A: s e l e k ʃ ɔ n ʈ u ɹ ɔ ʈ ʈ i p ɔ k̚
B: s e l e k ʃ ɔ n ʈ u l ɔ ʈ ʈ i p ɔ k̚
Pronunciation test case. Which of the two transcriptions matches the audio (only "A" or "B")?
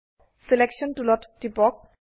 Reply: B